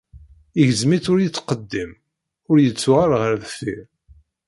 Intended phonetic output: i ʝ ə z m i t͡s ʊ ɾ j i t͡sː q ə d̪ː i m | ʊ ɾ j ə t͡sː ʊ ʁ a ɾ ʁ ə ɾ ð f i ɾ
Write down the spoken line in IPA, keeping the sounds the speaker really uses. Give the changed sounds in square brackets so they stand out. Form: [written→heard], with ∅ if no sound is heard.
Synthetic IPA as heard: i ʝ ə z m i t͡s ʊ ɾ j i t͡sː q ə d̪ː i m | ʊ ɾ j ə t͡sː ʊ ʁ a ɾ ʁ ə ɾ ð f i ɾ